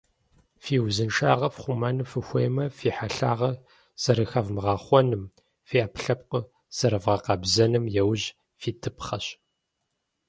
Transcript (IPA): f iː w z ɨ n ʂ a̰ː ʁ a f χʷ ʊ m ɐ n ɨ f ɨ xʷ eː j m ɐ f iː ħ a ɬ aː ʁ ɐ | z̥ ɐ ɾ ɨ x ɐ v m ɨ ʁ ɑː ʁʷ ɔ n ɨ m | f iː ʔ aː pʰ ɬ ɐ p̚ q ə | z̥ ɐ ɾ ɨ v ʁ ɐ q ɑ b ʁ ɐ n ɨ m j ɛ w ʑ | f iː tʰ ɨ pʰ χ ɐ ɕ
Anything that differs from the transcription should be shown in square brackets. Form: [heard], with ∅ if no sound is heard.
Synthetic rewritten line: f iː w z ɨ n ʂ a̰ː ʁ [ɐ] f χʷ ʊ m ɐ n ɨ f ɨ xʷ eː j m ɐ f iː ħ a ɬ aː ʁ ɐ | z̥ ɐ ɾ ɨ x ɐ v m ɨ ʁ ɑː [χʷ] ɔ n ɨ m | f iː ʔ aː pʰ ɬ ɐ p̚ q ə | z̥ ɐ ɾ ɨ v ʁ ɐ q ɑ b [z] ɐ n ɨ m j ɛ w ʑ | f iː tʰ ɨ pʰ χ ɐ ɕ

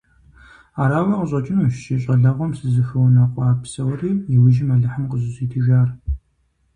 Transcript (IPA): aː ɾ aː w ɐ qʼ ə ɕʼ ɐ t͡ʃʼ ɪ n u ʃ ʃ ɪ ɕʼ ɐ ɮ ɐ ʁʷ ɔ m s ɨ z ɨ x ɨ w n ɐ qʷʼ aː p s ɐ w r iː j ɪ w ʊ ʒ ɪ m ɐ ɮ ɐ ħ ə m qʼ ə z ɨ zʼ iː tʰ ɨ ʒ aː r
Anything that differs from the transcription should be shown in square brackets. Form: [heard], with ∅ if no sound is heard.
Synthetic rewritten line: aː ɾ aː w ɐ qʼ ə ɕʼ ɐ t͡ʃʼ ɪ n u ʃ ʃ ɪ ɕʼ ɐ ɮ ɐ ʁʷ ɔ m s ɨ z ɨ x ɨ w n ɐ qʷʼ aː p s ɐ w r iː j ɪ w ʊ ʒ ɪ m ɐ ɮ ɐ ħ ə m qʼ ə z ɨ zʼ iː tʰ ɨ ʒ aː r

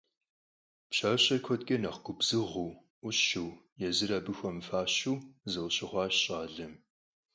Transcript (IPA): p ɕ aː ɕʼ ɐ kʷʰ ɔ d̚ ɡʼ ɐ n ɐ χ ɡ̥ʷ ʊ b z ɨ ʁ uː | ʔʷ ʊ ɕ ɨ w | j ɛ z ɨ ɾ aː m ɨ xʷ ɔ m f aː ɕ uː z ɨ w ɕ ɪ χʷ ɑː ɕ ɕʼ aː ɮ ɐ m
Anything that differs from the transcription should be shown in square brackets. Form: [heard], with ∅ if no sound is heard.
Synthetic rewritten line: p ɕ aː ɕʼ ɐ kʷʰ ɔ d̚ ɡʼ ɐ n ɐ χ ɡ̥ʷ ʊ b z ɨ ʁ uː | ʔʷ ʊ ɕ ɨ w | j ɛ z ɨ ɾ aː [b] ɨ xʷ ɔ m f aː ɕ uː z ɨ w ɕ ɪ χʷ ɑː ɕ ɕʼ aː ɮ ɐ m

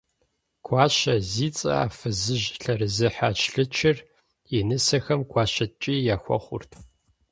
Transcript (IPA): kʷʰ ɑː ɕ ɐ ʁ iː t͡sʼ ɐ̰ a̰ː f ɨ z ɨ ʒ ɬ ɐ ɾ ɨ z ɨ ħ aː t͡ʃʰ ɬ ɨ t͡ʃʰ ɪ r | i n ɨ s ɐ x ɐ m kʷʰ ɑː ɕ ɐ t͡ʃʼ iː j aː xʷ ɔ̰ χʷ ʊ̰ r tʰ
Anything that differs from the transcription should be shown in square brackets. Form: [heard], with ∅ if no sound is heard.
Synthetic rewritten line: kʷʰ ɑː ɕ ɐ [z] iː t͡sʼ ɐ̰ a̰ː f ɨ z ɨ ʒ ɬ ɐ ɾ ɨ z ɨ ħ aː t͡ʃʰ ɬ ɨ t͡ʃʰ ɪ r | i n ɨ s ɐ x ɐ m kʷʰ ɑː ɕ ɐ t͡ʃʼ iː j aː xʷ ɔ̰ χʷ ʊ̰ r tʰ

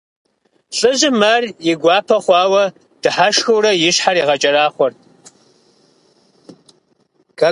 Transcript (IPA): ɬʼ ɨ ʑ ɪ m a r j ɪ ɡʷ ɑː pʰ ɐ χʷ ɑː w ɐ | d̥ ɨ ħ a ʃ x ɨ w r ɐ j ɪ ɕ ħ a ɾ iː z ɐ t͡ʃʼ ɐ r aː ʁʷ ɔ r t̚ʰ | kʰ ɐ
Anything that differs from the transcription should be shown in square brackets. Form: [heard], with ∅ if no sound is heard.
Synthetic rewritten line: ɬʼ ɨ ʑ ɪ m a r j ɪ ɡʷ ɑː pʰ ɐ χʷ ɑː w ɐ | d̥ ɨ ħ a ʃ x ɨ w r ɐ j ɪ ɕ ħ a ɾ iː [ʁ] ɐ t͡ʃʼ ɐ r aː [χʷ] ɔ r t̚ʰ | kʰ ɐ

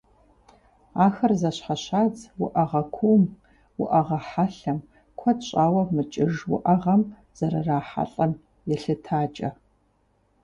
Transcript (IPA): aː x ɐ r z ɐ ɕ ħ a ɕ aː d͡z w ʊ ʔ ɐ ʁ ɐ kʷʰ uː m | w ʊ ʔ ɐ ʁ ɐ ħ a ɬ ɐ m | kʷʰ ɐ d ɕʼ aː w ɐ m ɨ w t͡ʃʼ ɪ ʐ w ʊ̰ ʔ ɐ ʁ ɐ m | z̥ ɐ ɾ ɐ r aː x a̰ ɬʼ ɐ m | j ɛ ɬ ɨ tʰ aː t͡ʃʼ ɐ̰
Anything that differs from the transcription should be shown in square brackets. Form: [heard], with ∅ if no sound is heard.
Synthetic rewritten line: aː x ɐ r z ɐ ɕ ħ a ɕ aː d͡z w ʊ ʔ ɐ ʁ ɐ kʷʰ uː m | w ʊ ʔ ɐ ʁ ɐ ħ a ɬ ɐ m | kʷʰ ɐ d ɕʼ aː w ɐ m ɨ [∅] t͡ʃʼ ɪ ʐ w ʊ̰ ʔ ɐ ʁ ɐ m | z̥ ɐ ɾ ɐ r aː [ħ] a̰ ɬʼ ɐ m | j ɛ ɬ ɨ tʰ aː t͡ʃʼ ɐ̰

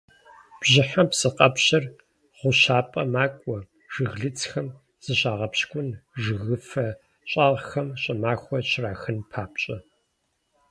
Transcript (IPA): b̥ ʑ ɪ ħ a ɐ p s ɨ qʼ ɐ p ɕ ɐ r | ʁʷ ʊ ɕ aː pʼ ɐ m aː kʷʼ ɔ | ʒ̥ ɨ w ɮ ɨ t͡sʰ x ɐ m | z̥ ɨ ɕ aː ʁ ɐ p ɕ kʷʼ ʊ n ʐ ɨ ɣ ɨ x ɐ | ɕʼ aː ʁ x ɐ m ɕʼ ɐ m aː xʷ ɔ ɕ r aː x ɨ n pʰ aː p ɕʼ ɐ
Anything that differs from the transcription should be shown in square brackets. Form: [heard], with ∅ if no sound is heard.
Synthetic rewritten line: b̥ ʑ ɪ ħ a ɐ p s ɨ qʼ ɐ p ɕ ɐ r | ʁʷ ʊ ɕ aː pʼ ɐ m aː kʷʼ ɔ | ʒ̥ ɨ [ɣ] ɮ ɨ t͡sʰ x ɐ m | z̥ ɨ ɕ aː ʁ ɐ p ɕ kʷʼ ʊ n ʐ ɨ ɣ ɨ [f] ɐ | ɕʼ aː ʁ x ɐ m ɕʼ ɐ m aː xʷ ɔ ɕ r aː x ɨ n pʰ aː p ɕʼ ɐ

